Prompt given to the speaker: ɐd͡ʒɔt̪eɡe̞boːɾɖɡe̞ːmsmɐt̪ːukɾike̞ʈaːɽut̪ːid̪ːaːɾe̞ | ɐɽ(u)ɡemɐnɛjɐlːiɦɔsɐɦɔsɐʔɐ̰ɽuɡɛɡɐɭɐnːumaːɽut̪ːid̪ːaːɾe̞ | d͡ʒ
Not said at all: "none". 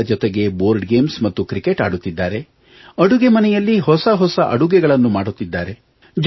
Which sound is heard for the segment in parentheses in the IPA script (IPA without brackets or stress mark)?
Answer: u